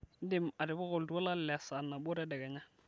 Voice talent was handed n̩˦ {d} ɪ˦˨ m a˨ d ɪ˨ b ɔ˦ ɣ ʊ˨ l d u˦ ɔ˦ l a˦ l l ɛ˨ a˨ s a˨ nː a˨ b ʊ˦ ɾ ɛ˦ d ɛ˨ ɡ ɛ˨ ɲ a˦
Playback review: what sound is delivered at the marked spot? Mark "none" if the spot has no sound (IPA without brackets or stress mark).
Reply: d